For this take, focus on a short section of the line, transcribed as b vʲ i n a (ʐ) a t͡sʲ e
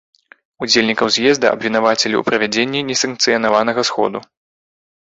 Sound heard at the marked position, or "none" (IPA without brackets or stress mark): v